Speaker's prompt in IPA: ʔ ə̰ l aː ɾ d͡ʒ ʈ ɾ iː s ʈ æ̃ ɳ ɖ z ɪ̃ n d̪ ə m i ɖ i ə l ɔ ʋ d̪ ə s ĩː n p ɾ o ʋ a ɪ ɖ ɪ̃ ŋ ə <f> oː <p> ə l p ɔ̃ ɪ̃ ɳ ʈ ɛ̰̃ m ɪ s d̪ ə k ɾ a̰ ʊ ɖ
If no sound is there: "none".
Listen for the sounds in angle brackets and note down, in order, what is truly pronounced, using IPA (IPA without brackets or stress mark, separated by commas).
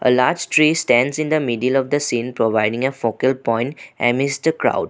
f, k